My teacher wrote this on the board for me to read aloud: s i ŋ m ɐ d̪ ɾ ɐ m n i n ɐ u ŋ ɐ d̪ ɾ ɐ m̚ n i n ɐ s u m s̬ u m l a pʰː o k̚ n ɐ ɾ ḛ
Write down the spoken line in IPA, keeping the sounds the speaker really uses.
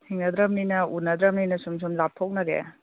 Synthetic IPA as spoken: h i ŋ n ɐ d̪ ɾ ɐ m n i n ɐ u n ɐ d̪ ɾ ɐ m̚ n i n ɐ s u m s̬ u m l a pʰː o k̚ n ɐ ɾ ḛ